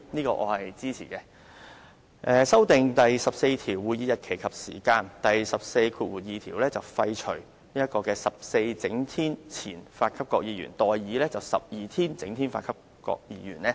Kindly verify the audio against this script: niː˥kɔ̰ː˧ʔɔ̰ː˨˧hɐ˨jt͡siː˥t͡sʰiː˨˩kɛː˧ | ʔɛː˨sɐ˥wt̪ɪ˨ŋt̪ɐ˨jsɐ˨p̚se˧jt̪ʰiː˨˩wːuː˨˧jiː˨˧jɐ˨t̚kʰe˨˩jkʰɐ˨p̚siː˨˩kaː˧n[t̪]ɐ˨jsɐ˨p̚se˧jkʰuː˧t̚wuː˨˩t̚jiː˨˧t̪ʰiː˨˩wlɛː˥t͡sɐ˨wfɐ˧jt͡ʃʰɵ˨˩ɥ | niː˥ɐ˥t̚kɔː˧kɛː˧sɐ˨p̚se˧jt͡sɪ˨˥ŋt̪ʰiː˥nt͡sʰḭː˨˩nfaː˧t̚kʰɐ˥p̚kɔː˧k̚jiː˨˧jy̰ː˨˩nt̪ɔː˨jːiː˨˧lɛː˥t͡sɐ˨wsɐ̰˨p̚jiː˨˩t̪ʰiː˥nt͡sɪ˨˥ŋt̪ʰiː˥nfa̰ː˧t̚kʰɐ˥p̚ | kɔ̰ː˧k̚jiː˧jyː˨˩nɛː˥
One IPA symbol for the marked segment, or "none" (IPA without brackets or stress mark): t̪